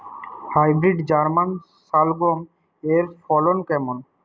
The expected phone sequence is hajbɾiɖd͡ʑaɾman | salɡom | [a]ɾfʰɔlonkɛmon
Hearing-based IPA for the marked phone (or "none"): e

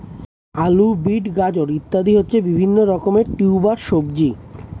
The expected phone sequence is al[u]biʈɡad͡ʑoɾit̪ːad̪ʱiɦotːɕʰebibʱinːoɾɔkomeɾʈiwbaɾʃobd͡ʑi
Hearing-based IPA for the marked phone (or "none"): u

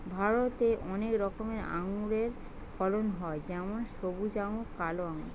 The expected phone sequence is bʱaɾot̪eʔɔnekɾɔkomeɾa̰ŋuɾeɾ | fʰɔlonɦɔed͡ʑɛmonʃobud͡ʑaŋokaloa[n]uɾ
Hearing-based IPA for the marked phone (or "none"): ŋ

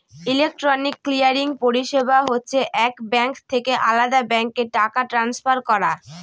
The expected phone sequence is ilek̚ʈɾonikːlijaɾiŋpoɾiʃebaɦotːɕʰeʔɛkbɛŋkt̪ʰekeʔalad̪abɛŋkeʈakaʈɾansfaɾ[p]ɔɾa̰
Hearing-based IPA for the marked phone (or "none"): k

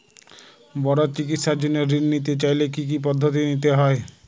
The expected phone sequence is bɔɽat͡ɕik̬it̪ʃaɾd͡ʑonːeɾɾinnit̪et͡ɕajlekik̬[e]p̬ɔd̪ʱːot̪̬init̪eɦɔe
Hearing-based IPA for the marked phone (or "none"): i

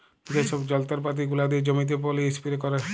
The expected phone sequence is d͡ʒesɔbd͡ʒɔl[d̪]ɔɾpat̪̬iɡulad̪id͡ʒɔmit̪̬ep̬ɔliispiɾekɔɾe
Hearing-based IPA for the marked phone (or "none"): t̪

